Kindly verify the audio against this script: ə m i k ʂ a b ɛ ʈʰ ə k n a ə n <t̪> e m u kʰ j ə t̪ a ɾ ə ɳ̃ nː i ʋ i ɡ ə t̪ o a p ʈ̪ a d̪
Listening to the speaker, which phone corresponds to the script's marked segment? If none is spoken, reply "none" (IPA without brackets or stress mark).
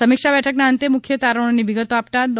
t̪